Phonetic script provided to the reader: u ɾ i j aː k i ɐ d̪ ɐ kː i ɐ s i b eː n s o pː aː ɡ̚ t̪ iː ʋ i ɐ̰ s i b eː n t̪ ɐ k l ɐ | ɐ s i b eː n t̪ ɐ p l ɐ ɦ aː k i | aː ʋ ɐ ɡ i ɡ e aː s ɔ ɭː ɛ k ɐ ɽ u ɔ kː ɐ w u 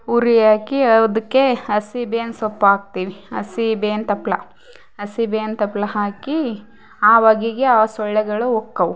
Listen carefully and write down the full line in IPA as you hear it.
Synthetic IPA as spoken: u ɾ i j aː k i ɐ d̪ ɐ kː e ɐ s i b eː n s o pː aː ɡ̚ t̪ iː ʋ i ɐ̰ s i b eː n t̪ ɐ p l ɐ | ɐ s i b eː n t̪ ɐ p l ɐ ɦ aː k i | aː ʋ ɐ ɡ i ɡ e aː s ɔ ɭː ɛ ɡ ɐ ɭ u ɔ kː ɐ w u